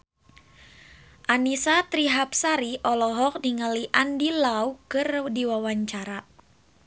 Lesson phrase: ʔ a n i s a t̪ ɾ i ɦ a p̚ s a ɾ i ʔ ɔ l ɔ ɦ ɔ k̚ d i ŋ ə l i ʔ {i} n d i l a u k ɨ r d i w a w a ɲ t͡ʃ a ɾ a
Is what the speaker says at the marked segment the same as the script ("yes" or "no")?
no